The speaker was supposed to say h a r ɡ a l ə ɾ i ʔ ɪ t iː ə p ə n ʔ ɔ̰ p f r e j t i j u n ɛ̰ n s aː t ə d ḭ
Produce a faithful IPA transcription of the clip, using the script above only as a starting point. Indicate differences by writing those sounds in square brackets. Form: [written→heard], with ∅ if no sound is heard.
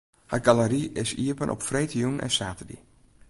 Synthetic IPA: h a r ɡ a l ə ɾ i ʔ ɪ [t→s] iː ə p ə n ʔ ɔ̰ p f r e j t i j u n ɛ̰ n s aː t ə d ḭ